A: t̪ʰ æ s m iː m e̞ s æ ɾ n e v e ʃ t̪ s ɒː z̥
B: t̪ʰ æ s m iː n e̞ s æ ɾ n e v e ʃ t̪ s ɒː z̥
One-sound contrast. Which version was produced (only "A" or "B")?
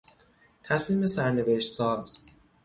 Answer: A